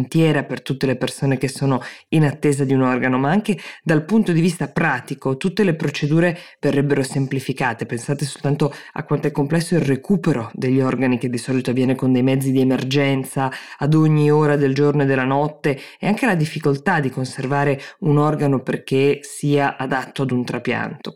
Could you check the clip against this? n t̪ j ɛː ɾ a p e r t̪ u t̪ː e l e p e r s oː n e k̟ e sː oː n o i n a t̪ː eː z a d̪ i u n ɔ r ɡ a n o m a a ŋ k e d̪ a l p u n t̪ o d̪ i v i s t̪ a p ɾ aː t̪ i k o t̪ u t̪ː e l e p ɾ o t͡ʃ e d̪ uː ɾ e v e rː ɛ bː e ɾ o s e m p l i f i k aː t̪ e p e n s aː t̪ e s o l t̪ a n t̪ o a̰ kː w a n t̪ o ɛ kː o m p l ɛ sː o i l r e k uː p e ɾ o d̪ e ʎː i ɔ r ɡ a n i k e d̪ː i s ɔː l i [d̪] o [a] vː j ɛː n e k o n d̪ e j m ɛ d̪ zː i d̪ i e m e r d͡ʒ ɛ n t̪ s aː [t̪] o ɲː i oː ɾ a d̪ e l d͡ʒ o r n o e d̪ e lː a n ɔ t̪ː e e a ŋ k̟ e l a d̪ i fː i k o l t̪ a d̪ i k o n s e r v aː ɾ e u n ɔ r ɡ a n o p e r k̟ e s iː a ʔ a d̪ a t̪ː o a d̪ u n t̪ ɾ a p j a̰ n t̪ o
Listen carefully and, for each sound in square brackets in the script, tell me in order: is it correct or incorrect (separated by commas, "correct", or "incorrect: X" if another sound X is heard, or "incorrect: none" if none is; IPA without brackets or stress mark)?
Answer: incorrect: t̪, correct, incorrect: d̪